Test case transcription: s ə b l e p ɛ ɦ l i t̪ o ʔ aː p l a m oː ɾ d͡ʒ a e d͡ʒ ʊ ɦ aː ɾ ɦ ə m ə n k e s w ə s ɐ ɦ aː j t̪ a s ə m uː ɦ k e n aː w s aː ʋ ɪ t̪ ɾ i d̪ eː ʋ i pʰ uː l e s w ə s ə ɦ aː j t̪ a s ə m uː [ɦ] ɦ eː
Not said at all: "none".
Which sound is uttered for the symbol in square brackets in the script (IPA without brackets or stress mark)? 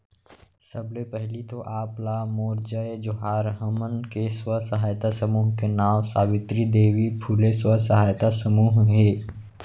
ɦ